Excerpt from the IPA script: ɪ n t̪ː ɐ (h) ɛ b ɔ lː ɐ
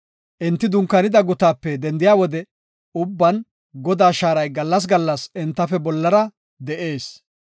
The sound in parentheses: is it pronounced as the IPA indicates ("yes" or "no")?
no